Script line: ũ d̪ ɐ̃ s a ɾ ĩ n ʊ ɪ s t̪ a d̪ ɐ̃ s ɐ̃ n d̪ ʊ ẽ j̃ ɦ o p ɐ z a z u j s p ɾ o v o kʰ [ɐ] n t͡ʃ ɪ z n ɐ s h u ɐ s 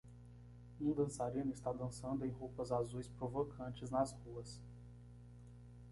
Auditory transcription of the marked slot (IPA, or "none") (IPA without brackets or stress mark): ɐ̃